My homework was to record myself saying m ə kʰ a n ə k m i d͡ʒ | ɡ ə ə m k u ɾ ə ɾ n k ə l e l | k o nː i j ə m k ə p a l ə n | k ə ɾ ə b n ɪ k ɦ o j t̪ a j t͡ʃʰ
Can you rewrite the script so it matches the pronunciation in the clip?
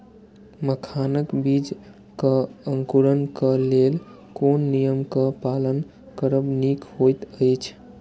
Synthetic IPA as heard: m ə kʰ a n ə k b i d͡ʒ | k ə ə ŋ k u ɾ ə n k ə l e l | k o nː i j ə m k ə p a l ə n | k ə ɾ ə b n i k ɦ o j t̪ ə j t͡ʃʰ